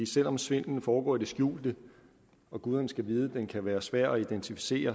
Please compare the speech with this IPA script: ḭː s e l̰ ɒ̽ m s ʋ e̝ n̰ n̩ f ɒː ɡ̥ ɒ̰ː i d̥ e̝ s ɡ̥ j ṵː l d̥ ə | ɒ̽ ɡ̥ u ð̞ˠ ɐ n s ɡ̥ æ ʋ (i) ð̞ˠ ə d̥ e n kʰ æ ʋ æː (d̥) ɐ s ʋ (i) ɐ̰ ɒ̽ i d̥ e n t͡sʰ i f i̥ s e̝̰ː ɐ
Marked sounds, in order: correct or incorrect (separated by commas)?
incorrect, incorrect, incorrect